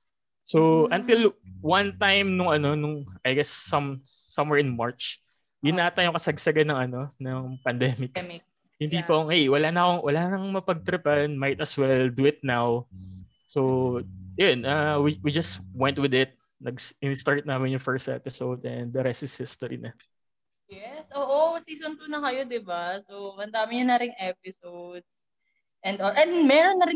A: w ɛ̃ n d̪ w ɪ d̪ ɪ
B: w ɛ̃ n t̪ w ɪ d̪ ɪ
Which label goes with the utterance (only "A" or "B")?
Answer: B